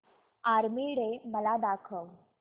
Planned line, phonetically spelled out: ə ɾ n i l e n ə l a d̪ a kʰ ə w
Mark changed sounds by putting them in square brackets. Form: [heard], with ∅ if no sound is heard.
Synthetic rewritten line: [a] ɾ [m] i [ɽ] e [m] ə l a d̪ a kʰ ə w